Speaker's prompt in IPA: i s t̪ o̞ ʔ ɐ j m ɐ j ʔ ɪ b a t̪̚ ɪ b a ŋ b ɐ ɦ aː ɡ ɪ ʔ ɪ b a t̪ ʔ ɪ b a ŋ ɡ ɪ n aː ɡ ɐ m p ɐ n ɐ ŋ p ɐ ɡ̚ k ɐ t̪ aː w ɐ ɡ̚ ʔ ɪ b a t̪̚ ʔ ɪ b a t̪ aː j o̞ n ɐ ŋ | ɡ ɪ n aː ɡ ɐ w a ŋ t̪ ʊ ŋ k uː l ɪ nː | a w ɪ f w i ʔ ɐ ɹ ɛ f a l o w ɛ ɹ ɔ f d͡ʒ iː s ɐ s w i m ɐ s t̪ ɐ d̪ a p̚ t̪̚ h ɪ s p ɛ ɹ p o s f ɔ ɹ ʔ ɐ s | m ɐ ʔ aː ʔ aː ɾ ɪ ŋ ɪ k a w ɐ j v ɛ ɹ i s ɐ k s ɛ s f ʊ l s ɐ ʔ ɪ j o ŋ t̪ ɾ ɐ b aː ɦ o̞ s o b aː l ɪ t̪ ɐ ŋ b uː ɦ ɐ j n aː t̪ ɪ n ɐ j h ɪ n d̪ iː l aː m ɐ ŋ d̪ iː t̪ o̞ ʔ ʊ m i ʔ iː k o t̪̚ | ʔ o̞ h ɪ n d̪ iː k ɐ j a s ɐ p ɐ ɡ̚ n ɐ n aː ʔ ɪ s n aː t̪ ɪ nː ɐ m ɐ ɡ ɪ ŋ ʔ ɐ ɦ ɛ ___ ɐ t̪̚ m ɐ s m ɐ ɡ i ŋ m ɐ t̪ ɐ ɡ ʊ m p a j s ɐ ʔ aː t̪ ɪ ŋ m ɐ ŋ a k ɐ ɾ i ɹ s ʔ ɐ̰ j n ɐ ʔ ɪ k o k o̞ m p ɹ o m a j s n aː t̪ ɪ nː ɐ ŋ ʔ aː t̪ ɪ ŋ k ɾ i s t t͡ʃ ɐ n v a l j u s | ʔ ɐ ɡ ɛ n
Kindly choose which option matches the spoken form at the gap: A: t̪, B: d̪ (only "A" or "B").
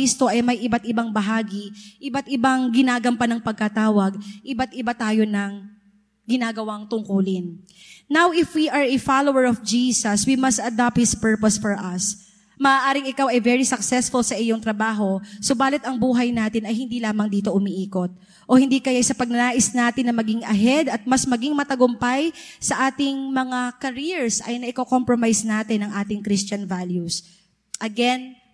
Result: B